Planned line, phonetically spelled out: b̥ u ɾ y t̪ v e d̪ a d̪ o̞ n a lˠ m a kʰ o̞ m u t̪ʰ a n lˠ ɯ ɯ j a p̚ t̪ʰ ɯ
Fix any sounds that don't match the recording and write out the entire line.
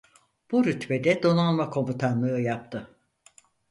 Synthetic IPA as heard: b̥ u ɾ y t̪ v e d̪ ɛ d̪ o̞ n a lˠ m a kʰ o̞ m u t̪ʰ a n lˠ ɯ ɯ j a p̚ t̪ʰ ɯ